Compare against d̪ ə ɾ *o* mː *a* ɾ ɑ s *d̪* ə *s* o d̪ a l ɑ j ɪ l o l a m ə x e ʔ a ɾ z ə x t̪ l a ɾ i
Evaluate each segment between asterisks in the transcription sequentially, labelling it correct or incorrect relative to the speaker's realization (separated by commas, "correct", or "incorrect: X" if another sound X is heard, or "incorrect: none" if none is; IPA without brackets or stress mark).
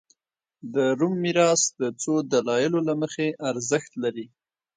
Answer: incorrect: u, incorrect: i, correct, incorrect: t͡s